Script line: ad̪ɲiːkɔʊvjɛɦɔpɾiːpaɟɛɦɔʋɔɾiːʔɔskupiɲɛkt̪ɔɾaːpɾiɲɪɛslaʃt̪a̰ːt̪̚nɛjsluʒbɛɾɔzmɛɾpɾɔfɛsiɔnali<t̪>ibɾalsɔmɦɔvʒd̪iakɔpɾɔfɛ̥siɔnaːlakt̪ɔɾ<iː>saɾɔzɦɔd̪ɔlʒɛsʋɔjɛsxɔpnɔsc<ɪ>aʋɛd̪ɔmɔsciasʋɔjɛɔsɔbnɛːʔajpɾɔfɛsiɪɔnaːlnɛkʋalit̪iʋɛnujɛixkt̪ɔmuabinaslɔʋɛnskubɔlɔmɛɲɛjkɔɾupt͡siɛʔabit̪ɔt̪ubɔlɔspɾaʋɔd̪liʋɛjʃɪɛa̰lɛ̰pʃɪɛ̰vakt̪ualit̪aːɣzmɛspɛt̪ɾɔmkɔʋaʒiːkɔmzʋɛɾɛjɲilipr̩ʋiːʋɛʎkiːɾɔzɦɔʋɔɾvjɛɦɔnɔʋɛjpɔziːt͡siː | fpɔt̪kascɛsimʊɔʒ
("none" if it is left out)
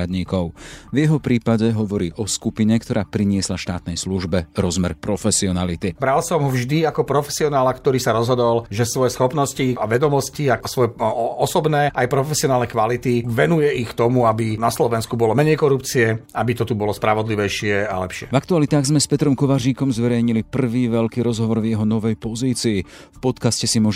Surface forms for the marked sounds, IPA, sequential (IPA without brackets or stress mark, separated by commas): t̪, iː, i